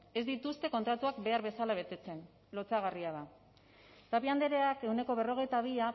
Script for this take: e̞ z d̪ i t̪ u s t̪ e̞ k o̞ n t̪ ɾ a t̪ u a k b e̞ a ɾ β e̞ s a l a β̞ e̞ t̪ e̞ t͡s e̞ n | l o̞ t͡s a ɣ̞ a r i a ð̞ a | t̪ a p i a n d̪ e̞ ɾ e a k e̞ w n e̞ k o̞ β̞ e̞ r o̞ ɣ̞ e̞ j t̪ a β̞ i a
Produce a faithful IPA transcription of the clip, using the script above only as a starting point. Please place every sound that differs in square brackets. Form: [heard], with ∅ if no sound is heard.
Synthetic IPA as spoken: e̞ z d̪ i t̪ u s t̪ e̞ k o̞ n t̪ ɾ a t̪ u a k b e̞ a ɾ β e̞ s a l a β̞ e̞ t̪ e̞ t͡s e̞ n | l o̞ t͡s a ɣ̞ a r i a ð̞ a | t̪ a p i a n d̪ e̞ ɾ e a k e̞ w n e̞ k o̞ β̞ e̞ r o̞ ɣ̞ e̞ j t̪ a β̞ i a